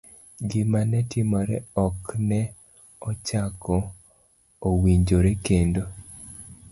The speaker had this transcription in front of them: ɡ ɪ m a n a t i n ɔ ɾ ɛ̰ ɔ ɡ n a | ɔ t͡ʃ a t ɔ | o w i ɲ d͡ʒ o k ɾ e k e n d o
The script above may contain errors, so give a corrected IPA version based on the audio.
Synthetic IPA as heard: ɡ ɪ m a n ɛ t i m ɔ ɾ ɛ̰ ɔ k n ɛ | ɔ t͡ʃ a k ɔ | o w i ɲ d͡ʒ o ɾ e k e n d o